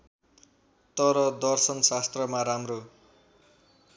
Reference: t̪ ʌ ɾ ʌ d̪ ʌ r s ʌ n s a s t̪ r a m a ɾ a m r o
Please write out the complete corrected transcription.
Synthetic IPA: t̪ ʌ ɾ ʌ d̪ ʌ r s ʌ n s a s t̪ r ʌ m a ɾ a m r o